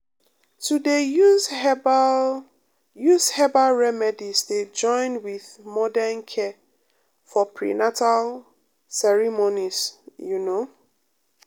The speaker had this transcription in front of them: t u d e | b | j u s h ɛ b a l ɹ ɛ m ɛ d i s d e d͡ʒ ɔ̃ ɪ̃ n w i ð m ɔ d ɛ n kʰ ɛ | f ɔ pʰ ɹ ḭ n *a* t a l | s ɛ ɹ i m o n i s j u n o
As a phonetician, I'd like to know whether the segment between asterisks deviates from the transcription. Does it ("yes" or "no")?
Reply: no